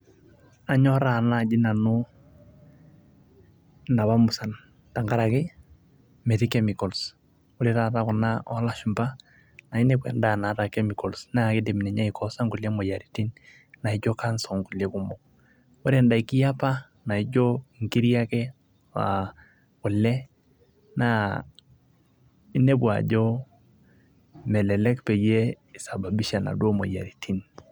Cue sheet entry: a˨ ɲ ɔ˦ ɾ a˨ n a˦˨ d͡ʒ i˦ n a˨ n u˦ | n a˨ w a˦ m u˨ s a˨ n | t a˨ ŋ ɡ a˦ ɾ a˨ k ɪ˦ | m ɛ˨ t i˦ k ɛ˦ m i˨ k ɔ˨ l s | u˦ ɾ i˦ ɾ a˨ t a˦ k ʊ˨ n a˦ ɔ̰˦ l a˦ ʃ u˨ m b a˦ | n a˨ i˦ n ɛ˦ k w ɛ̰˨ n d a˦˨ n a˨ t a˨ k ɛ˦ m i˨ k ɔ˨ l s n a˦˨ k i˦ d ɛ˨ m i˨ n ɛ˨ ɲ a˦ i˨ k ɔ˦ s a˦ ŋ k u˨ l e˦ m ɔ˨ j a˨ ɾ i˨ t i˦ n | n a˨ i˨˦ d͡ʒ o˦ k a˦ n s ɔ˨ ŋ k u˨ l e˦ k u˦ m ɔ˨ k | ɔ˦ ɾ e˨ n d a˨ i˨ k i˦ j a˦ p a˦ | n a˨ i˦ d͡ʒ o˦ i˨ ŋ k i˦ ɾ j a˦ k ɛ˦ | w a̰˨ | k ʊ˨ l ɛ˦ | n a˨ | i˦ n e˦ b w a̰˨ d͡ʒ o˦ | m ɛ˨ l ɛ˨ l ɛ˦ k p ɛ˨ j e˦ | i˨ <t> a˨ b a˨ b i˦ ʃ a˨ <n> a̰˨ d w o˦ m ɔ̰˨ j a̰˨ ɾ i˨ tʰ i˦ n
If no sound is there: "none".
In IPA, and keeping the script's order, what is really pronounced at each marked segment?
s, n

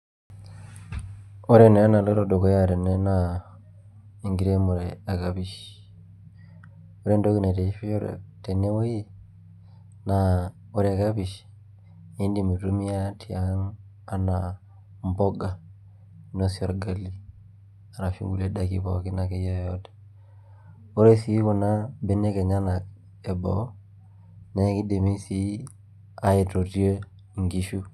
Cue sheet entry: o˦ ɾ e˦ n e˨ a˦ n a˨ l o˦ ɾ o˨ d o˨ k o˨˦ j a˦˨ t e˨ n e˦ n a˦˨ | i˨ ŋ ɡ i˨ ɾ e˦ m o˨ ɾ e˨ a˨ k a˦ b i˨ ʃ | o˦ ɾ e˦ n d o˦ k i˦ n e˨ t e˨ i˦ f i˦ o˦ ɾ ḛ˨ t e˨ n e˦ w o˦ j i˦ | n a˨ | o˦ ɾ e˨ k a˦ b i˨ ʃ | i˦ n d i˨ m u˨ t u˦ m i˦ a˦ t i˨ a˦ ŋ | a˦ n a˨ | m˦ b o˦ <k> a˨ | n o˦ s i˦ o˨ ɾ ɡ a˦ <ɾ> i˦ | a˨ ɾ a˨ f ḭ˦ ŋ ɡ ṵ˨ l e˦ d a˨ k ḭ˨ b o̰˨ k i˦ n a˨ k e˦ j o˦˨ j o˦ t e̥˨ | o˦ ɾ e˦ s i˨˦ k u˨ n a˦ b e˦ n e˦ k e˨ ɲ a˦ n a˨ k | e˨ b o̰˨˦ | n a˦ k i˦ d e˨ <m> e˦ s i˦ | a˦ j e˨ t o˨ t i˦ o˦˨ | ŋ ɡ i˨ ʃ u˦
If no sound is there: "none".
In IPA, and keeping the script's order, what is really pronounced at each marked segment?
ɡ, l, m

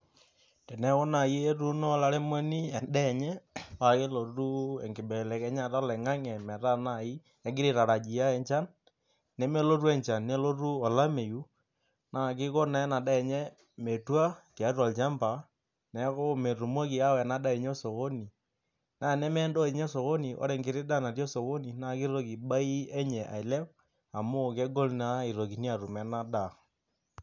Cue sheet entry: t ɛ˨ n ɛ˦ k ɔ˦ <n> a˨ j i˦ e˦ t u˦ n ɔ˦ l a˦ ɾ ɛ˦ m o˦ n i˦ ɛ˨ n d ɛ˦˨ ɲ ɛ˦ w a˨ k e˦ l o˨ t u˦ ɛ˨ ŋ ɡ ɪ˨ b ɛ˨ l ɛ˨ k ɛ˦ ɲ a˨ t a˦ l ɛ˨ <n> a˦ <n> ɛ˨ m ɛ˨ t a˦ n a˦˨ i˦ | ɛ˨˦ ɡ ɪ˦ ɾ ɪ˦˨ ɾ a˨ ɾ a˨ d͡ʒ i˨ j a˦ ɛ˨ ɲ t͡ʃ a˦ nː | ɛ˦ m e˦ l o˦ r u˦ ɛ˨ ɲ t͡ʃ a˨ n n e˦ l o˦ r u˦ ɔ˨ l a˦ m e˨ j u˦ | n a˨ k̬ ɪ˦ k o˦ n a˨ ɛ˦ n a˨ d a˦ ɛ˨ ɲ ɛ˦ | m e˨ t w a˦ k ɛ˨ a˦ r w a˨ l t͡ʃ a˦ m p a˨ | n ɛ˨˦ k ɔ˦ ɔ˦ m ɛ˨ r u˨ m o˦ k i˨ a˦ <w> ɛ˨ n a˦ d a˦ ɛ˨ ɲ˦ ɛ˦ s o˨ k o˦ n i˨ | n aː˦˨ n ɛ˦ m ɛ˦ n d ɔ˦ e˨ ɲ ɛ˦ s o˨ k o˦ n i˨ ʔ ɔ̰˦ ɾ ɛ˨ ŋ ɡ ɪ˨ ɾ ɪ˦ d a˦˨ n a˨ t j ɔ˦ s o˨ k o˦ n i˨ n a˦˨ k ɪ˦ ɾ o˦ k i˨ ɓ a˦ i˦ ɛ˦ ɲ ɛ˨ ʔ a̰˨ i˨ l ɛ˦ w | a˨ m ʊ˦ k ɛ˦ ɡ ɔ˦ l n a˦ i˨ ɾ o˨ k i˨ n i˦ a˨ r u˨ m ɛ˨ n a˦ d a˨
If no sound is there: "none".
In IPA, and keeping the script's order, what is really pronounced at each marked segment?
n, ŋ, ŋ, w

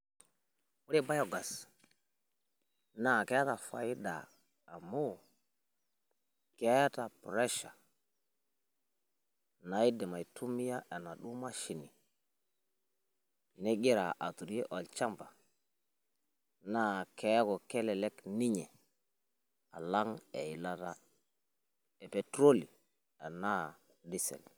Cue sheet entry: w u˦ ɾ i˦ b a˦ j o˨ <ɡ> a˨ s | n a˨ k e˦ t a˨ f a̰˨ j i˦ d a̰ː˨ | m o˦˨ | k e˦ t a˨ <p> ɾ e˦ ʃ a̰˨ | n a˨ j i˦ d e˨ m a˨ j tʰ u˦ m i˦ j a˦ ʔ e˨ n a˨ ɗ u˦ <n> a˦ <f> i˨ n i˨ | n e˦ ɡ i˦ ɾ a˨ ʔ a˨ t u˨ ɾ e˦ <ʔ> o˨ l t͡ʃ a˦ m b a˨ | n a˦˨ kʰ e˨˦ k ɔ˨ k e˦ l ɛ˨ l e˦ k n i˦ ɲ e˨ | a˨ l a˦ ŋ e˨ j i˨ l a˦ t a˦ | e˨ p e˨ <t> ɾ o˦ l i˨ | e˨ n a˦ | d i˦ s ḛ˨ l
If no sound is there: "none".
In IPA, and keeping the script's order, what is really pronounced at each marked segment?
ɡ, p, m, ʃ, ʔ, t

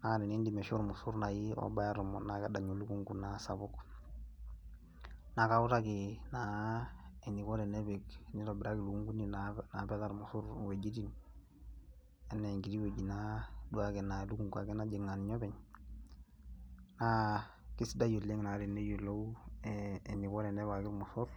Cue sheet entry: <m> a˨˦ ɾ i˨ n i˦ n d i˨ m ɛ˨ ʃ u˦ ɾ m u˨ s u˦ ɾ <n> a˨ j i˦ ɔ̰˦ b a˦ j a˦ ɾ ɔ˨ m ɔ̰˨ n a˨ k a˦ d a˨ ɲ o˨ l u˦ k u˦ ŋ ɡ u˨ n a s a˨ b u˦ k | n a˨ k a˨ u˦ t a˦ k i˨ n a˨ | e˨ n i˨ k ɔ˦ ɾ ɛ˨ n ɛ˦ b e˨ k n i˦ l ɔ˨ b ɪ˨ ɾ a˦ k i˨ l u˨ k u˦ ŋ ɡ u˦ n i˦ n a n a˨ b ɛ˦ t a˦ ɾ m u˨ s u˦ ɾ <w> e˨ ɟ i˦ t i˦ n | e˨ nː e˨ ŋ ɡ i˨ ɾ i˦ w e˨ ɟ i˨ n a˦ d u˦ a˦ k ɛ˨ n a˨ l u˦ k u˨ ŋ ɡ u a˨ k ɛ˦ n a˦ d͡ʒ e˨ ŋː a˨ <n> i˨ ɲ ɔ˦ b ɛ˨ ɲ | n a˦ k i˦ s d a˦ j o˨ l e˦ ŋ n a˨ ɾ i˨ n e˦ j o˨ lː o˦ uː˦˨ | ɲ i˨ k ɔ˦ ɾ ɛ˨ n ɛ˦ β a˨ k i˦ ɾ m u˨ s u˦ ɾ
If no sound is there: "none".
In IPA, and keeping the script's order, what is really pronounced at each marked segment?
n, n, w, n

